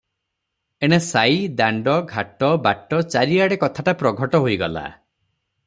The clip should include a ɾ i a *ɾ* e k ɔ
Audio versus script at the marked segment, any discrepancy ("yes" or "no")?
yes